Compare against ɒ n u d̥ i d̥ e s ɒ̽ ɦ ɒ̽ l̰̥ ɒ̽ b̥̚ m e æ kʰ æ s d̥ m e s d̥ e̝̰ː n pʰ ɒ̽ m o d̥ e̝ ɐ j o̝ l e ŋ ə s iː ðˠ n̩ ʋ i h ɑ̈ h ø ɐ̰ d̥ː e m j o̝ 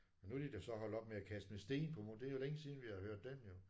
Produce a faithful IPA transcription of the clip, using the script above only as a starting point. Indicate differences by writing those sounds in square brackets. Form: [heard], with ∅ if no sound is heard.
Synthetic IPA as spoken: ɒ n u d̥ i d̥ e s ɒ̽ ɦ ɒ̽ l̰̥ ɒ̽ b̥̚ m e æ kʰ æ s d̥ m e s d̥ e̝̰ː n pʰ ɒ̽ m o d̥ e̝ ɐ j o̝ l e ŋ ə s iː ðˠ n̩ ʋ i h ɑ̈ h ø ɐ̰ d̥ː e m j o̝